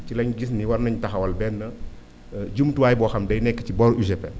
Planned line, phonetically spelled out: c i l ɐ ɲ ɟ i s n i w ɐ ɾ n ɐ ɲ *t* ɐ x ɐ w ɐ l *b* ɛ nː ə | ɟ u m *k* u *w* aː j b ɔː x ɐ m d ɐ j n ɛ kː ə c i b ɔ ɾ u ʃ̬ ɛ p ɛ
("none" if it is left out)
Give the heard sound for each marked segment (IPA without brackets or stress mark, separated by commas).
t, b, t, w